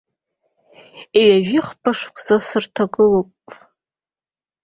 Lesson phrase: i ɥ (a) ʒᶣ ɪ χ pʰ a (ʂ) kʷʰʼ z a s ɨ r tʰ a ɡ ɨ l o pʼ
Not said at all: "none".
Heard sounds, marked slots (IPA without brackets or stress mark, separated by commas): a, ʂ